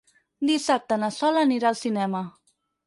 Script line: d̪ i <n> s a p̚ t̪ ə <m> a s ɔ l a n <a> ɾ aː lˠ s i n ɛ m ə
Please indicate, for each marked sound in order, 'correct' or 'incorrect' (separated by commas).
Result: incorrect, incorrect, incorrect